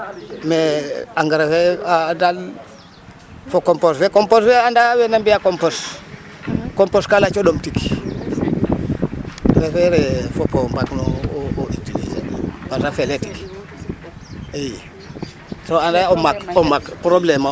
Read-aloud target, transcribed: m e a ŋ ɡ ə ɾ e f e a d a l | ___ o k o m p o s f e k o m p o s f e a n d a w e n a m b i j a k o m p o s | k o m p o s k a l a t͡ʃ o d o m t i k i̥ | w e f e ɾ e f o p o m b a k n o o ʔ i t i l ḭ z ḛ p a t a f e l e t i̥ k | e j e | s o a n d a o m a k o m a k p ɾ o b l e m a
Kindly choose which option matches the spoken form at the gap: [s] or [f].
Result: f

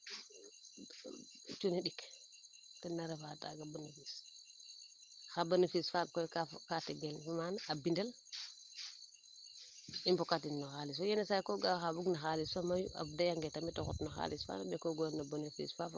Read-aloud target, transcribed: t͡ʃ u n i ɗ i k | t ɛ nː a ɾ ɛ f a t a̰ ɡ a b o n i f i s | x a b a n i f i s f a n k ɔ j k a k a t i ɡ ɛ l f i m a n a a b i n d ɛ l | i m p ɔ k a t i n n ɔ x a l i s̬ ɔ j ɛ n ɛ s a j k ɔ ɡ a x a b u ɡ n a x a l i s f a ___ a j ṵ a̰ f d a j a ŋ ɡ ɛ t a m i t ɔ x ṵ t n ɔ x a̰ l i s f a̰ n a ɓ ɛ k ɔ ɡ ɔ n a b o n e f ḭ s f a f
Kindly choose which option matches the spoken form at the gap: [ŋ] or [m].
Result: m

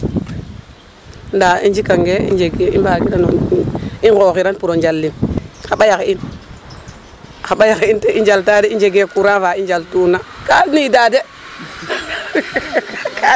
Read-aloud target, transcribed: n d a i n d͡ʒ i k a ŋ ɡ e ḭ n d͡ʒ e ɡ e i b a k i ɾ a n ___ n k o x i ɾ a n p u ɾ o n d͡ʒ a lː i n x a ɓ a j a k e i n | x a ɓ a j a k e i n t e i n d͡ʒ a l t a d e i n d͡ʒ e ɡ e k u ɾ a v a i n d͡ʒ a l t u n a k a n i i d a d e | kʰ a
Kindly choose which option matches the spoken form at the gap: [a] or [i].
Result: i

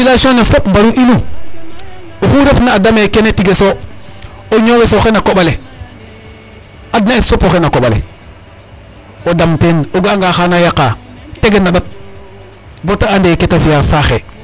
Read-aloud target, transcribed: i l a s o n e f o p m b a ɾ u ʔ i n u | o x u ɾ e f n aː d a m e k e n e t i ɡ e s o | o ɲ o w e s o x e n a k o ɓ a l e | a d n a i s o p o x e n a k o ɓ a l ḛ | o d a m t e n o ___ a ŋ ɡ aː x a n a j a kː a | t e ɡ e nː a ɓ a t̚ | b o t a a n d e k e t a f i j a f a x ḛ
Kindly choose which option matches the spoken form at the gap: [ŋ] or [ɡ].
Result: ɡ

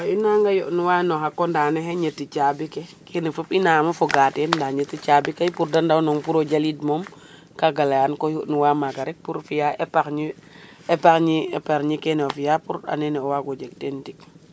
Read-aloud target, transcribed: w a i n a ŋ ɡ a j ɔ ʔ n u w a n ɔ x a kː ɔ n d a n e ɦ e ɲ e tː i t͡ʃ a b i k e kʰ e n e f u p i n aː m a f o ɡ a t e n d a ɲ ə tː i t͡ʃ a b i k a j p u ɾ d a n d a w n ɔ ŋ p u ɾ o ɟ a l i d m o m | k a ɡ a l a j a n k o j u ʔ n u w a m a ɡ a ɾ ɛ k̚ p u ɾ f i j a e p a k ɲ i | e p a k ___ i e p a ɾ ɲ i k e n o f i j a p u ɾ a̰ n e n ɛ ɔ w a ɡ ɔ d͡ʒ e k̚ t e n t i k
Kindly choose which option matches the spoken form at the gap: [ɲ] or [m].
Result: ɲ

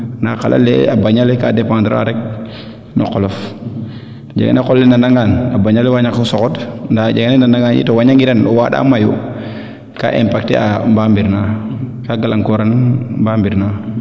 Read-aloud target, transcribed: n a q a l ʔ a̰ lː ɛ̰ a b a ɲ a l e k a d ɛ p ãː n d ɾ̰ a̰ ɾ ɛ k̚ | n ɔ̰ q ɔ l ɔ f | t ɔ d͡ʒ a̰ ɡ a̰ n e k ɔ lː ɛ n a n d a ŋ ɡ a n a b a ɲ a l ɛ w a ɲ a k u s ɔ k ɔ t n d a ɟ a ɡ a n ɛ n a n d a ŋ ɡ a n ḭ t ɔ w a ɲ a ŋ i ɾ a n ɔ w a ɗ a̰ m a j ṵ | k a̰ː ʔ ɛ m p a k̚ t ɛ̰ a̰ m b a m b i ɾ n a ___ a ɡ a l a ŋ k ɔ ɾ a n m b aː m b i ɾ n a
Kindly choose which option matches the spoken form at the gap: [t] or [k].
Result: k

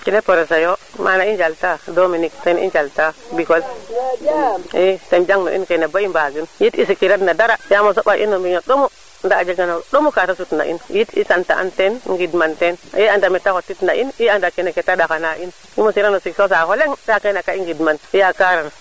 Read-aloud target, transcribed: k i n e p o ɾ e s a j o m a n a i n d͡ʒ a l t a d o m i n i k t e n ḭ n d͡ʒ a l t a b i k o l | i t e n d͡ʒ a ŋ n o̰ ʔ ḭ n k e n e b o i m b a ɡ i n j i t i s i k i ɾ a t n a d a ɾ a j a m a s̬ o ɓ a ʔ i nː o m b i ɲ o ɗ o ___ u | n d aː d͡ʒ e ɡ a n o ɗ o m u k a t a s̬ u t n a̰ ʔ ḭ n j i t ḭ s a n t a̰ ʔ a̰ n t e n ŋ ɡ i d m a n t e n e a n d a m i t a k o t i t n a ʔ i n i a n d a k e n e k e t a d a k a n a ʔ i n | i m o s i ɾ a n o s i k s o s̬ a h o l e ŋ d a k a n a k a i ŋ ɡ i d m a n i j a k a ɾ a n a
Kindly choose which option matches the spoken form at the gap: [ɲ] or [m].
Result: m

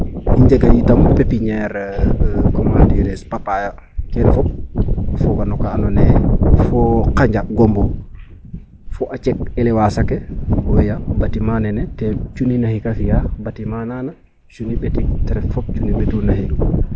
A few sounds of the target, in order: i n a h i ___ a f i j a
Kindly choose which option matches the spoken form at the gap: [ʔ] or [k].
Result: k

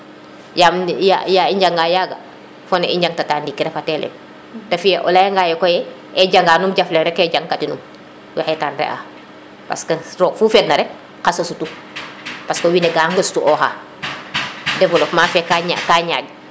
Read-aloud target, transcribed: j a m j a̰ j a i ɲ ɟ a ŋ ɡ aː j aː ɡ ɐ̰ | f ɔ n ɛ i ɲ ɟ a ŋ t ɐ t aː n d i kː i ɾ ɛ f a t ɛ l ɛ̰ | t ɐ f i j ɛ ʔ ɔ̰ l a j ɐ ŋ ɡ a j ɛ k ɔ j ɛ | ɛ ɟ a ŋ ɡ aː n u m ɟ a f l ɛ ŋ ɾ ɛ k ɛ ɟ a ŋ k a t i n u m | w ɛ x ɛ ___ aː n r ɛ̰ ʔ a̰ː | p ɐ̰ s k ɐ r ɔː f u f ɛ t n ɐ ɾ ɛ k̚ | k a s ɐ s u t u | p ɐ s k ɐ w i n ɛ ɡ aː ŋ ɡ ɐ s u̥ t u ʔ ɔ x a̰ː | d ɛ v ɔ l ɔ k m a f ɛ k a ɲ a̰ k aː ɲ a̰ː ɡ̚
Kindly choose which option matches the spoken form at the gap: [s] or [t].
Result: t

